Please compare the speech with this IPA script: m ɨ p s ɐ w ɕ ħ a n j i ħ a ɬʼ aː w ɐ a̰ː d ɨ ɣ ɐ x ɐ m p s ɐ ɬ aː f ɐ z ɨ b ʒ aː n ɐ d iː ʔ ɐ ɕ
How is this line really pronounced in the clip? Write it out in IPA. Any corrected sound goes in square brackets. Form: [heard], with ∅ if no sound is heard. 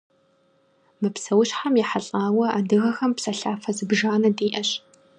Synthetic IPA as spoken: m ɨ p s ɐ w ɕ ħ a [m] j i ħ a ɬʼ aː w ɐ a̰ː d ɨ ɣ ɐ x ɐ m p s ɐ ɬ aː f ɐ z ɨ b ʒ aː n ɐ d iː ʔ ɐ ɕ